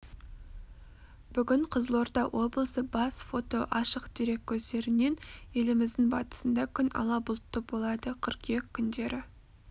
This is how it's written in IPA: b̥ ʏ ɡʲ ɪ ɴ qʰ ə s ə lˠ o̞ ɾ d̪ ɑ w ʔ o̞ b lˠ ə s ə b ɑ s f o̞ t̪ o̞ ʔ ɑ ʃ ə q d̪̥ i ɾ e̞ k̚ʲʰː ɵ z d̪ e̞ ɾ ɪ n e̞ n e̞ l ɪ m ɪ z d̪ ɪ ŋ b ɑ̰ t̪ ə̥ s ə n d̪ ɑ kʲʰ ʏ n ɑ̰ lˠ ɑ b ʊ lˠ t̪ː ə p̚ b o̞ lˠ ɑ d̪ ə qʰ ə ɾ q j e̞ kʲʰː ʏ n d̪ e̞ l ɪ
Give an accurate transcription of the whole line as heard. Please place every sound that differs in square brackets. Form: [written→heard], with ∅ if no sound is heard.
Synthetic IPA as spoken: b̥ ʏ ɡʲ ɪ ɴ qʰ ə [s→z] ə lˠ o̞ ɾ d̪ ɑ w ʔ o̞ b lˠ ə s ə b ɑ s f o̞ t̪ o̞ ʔ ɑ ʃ ə q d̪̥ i ɾ e̞ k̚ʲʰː ɵ z d̪ e̞ ɾ ɪ n e̞ n e̞ l ɪ m ɪ z d̪ ɪ ŋ b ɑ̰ t̪ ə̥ s ə n d̪ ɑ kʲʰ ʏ n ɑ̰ lˠ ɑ b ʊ lˠ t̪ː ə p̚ b o̞ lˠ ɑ d̪ ə qʰ ə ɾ q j e̞ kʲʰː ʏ n d̪ e̞ [l→ɾ] ɪ

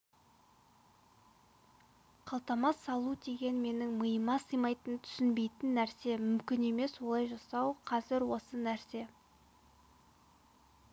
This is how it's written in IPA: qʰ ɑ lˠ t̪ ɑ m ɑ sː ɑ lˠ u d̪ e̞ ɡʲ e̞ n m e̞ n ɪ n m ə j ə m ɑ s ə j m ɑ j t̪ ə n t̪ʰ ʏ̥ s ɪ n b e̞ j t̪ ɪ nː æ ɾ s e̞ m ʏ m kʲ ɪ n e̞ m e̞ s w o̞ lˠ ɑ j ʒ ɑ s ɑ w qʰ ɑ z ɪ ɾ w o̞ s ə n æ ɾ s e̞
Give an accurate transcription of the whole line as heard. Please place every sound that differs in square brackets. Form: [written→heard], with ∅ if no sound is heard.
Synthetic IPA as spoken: qʰ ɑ lˠ t̪ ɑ m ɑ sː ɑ lˠ u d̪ e̞ ɡʲ e̞ n m e̞ n ɪ [n→ŋ] m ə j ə m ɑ s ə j m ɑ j t̪ ə n t̪ʰ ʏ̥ s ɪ n b e̞ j t̪ ɪ nː æ ɾ s e̞ m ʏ m kʲ ɪ n e̞ m e̞ s w o̞ lˠ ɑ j ʒ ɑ s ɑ w qʰ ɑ z ɪ ɾ w o̞ s ə n æ ɾ s e̞

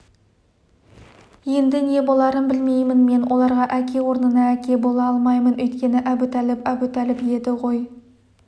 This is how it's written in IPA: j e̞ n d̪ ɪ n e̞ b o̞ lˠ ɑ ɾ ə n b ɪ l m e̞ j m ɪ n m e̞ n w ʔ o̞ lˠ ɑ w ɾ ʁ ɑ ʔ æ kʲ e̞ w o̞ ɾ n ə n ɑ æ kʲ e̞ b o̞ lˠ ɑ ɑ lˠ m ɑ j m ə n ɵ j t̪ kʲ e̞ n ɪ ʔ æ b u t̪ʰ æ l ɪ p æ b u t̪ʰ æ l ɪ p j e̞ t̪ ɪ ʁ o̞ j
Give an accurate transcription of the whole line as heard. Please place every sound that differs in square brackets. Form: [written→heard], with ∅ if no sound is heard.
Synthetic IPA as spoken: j e̞ n d̪ ɪ n e̞ b o̞ lˠ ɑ ɾ ə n b ɪ l m e̞ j m ɪ n m e̞ n w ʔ o̞ lˠ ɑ [w→∅] ɾ ʁ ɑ ʔ æ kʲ e̞ w o̞ ɾ n ə n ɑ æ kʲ e̞ b o̞ lˠ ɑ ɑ lˠ m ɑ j m ə n ɵ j t̪ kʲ e̞ n ɪ ʔ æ b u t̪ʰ æ l ɪ p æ b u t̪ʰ æ l ɪ p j e̞ [t̪→d̪] ɪ ʁ o̞ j

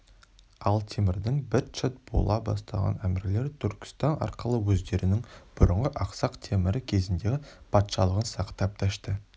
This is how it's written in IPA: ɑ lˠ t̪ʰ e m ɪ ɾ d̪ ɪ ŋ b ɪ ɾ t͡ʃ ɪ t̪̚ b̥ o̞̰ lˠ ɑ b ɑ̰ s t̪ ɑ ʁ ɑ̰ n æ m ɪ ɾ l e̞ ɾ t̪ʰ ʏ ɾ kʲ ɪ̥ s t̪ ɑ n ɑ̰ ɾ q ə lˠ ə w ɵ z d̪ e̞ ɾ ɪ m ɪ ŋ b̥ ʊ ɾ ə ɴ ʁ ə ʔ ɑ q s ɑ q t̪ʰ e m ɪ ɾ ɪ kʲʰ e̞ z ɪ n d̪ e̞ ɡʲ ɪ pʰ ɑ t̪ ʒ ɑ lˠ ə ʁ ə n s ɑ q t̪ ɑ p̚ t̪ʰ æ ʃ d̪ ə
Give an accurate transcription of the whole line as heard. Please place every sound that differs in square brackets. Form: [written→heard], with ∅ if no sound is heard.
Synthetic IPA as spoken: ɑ lˠ t̪ʰ e m ɪ ɾ d̪ ɪ ŋ b ɪ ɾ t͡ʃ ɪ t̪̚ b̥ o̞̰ lˠ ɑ b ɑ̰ s t̪ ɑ ʁ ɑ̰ n æ m ɪ ɾ l e̞ ɾ t̪ʰ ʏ ɾ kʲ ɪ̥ s t̪ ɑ n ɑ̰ ɾ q ə lˠ ə w ɵ z d̪ e̞ ɾ ɪ [m→n] ɪ ŋ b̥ ʊ ɾ ə ɴ ʁ ə ʔ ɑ q s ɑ q t̪ʰ e m ɪ ɾ ɪ kʲʰ e̞ z ɪ n d̪ e̞ ɡʲ ɪ pʰ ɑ t̪ [ʒ→ʃ] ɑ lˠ ə ʁ ə n s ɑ q t̪ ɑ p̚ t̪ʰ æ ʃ [d̪→t̪] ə

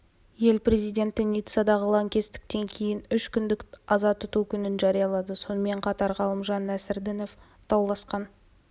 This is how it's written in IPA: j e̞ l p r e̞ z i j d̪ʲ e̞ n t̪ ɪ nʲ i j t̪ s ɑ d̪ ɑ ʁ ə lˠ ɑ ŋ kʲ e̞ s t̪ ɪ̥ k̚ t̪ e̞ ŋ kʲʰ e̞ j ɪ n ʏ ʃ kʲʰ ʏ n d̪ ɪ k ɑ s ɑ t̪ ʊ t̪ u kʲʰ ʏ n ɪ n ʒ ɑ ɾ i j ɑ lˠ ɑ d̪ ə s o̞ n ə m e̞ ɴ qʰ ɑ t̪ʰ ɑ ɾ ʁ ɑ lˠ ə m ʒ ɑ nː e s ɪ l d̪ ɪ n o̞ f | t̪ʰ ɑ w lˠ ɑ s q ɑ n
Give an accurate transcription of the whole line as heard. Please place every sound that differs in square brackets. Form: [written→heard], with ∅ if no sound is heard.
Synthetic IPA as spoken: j e̞ l p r e̞ z i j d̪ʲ e̞ n t̪ ɪ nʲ i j t̪ s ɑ d̪ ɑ ʁ ə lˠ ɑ ŋ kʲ e̞ s t̪ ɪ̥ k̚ t̪ e̞ ŋ kʲʰ e̞ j ɪ n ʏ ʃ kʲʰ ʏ n d̪ ɪ k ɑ [s→z] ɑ t̪ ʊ t̪ u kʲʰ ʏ n ɪ n ʒ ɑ ɾ i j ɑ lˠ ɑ d̪ ə s o̞ n ə m e̞ ɴ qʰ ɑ [t̪ʰ→t̪] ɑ ɾ ʁ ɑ lˠ ə m ʒ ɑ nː [e→æ] s ɪ [l→ɾ] d̪ ɪ n o̞ f | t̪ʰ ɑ w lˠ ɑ s q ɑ n

